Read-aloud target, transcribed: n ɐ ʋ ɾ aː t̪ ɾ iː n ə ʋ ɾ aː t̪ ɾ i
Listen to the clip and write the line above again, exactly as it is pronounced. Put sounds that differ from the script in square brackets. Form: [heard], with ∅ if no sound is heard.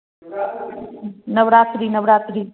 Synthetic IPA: n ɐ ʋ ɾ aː t̪ ɾ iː n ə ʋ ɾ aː t̪ ɾ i

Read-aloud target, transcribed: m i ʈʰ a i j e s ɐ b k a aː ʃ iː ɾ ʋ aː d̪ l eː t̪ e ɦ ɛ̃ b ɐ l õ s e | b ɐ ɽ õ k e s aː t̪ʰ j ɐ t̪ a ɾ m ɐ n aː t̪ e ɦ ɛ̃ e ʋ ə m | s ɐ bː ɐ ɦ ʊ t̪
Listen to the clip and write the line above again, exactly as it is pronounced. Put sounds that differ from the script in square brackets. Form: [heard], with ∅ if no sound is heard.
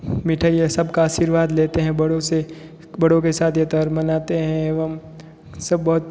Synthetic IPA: m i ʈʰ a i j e s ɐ b k a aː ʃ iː ɾ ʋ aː d̪ l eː t̪ e ɦ ɛ̃ b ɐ [ɽ] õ s e | b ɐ ɽ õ k e s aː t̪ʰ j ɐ t̪ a ɾ m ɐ n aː t̪ e ɦ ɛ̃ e ʋ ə m | s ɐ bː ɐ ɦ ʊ t̪

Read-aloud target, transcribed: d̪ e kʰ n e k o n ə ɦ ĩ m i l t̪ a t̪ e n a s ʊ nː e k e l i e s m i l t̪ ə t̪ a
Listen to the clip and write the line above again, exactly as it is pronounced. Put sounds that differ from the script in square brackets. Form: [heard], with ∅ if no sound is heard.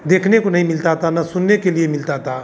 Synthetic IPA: d̪ e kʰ n e k o n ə ɦ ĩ m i l t̪ a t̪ [a] n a s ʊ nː e k e l i e [∅] m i l t̪ [a] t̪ a

